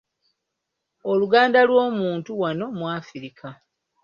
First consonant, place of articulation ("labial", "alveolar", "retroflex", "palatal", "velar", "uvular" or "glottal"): alveolar